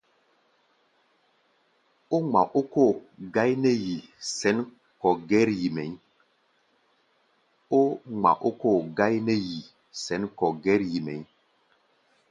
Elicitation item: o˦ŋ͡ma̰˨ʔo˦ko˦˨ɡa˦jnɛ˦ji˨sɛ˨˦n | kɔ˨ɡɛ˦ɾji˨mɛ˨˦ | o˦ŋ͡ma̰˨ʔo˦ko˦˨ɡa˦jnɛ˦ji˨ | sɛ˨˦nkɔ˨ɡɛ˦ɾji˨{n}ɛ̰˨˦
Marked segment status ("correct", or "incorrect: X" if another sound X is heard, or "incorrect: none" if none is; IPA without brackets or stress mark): incorrect: m